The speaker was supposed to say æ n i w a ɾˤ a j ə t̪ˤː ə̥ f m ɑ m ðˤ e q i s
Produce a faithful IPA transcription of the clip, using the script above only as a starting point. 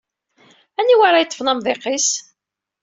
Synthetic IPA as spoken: æ n i w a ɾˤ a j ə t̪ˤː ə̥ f n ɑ m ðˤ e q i s